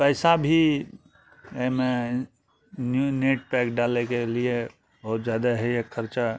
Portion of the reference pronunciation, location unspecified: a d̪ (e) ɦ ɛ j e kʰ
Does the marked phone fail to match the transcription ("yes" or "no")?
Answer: yes